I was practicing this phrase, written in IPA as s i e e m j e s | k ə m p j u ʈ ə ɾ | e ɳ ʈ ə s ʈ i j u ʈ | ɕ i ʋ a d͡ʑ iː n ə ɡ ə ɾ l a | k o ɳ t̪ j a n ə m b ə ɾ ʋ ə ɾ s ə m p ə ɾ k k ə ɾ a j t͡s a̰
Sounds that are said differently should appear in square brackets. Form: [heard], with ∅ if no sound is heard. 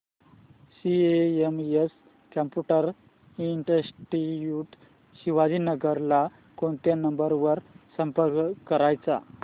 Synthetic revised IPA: s i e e m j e s | k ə m p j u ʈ ə ɾ | [i] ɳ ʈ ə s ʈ i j u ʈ | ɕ i ʋ a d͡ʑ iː n ə ɡ ə ɾ l a | k o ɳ t̪ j a n ə m b ə ɾ ʋ ə ɾ s ə m p ə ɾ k k ə ɾ a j t͡s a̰

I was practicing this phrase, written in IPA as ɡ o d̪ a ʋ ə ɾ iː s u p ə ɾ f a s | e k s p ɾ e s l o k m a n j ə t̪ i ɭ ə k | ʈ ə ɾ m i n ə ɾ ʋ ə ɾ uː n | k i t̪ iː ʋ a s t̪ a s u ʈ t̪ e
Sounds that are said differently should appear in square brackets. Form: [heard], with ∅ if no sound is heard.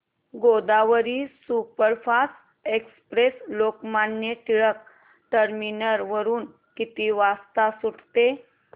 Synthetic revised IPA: ɡ o d̪ a ʋ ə ɾ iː s u p ə ɾ f a s | e k s p ɾ e s l o k m a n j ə t̪ i ɭ ə k | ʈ ə ɾ m i n ə ɾ ʋ ə ɾ uː n | k i t̪ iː ʋ a s t̪ a s u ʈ t̪ e

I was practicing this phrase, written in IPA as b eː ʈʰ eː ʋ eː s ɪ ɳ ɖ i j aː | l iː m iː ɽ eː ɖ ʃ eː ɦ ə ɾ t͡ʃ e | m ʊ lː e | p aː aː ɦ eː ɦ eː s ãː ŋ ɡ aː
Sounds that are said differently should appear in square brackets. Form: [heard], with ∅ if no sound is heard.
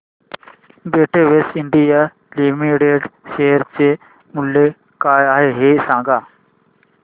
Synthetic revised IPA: b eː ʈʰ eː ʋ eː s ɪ ɳ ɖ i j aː | l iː m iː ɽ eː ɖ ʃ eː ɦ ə ɾ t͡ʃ e | m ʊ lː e | [k] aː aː ɦ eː ɦ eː s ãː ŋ ɡ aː

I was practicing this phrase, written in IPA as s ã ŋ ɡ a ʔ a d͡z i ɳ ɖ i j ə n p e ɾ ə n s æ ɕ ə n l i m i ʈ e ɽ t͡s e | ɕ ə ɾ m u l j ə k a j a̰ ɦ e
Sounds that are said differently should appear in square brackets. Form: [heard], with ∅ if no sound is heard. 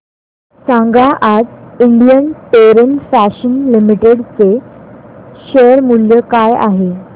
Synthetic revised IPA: s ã ŋ ɡ a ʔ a d͡z i ɳ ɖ i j ə n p e ɾ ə n [f] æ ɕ ə n l i m i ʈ e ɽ t͡s e | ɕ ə ɾ m u l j ə k a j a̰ ɦ e

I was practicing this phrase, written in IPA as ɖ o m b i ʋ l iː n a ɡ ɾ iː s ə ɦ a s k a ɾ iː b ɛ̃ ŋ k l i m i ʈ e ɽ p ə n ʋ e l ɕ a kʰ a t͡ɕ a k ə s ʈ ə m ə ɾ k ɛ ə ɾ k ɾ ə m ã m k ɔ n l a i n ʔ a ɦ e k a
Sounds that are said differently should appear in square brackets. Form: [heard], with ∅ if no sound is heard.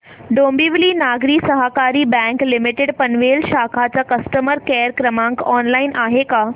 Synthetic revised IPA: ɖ o m b i ʋ l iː n a ɡ ɾ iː s ə ɦ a [∅] k a ɾ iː b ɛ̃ ŋ k l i m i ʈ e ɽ p ə n ʋ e l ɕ a kʰ a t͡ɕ a k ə s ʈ ə m ə ɾ k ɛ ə ɾ k ɾ ə m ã [ŋ] k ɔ n l a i n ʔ a ɦ e k a

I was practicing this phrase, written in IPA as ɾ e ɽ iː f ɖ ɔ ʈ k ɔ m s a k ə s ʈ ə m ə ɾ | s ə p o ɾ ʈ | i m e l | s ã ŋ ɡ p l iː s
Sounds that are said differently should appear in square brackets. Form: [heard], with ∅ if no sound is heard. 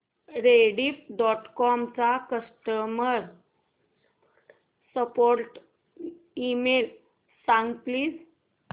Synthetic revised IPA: ɾ e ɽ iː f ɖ ɔ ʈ k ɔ m [t͡s] a k ə s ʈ ə m ə ɾ | s ə p o ɾ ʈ | i m e l | s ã ŋ ɡ p l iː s

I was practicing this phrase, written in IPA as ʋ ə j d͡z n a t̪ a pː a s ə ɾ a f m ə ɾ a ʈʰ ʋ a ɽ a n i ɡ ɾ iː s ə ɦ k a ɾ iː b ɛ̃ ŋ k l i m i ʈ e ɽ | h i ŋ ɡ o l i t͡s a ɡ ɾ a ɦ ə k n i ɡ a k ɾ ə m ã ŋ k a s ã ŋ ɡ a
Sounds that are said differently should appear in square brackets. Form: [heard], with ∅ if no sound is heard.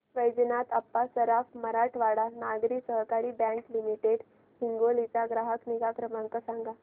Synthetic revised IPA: ʋ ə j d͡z n a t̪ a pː a s ə ɾ a f m ə ɾ a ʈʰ ʋ a ɽ a n [a] ɡ ɾ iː s ə ɦ k a ɾ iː b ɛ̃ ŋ k l i m i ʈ e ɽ | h i ŋ ɡ o l i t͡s a ɡ ɾ a ɦ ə k n i ɡ a k ɾ ə m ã ŋ k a s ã ŋ ɡ a

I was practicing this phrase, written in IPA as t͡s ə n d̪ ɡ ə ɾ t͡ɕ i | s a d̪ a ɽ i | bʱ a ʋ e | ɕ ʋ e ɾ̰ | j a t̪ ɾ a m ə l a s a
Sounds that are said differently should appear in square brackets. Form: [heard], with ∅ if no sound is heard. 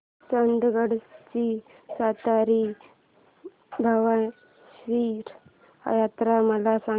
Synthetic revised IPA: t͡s ə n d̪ ɡ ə [ɽ] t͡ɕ i | s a [t̪] a [ɾ] i | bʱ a ʋ [a] | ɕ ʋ [i] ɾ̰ | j a t̪ ɾ a m ə l a s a

